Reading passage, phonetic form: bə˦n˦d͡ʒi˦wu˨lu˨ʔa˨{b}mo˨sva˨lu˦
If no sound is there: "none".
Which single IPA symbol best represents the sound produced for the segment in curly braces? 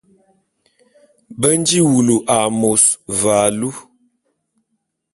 none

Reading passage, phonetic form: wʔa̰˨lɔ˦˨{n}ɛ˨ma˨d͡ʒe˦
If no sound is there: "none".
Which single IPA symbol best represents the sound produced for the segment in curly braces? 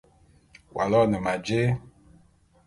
n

